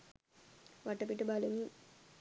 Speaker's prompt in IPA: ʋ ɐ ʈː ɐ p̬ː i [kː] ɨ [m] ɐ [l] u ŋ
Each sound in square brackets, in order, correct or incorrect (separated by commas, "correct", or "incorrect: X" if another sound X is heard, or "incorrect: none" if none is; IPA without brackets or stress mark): incorrect: ʈː, incorrect: b, correct